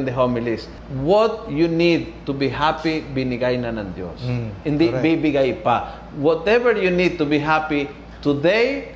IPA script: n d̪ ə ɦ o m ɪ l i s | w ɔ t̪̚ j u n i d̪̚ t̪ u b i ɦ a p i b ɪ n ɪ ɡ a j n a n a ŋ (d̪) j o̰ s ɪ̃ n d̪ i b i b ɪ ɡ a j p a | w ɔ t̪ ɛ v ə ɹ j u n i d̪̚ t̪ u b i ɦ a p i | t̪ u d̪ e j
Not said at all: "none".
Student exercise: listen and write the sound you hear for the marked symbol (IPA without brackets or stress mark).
d̪